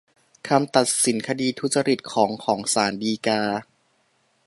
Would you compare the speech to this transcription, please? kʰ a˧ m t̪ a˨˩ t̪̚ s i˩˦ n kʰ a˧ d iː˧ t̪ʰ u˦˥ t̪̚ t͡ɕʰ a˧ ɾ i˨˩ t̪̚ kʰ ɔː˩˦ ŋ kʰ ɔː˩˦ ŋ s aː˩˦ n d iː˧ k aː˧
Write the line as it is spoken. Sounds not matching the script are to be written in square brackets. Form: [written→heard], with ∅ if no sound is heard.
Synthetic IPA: kʰ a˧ m t̪ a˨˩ t̪̚ s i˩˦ n kʰ a˧ d iː˧ t̪ʰ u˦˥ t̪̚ [t͡ɕʰ→t͡ɕ] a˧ ɾ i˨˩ t̪̚ kʰ ɔː˩˦ ŋ kʰ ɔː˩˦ ŋ s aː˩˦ n d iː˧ k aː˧